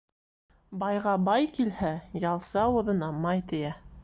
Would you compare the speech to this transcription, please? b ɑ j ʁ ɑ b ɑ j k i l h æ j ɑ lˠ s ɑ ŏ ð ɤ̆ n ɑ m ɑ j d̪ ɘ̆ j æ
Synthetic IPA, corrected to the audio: b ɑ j ʁ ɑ b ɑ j k i l h æ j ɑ lˠ s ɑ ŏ ð ɤ̆ n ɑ m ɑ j t̪ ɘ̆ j æ